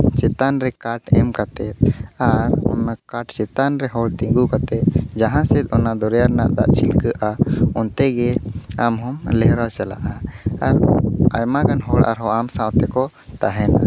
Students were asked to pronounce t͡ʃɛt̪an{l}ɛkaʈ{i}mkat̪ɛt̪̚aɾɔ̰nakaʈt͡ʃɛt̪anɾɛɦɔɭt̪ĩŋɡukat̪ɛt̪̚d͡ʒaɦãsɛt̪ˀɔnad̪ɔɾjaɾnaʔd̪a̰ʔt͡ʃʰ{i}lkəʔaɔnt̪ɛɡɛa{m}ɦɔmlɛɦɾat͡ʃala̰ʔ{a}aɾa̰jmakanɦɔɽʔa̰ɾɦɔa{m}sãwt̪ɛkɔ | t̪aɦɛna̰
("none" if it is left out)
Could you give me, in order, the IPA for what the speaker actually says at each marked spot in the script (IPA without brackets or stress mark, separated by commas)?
ɾ, ɛ, i, m, a, m